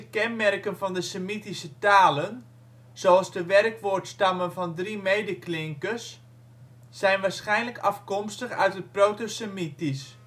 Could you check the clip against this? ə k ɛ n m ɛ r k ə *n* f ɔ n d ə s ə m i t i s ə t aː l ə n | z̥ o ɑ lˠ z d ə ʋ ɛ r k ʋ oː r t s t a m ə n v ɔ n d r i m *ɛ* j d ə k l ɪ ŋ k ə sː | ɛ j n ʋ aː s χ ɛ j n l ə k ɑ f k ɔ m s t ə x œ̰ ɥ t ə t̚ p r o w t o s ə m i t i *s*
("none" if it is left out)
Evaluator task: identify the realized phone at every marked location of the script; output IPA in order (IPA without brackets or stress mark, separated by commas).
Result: n, e, s